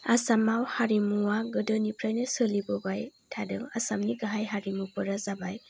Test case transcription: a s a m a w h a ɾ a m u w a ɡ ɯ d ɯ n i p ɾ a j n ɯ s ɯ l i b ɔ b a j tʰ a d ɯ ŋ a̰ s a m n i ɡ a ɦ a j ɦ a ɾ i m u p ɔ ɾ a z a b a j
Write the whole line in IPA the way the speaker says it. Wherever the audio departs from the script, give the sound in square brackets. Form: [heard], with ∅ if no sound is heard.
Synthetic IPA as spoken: a s a m a w h a ɾ [i] m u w a ɡ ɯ d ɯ n i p ɾ a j n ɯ s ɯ l i b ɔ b a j tʰ a d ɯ ŋ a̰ s a m n i ɡ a ɦ a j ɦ a ɾ i m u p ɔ ɾ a z a b a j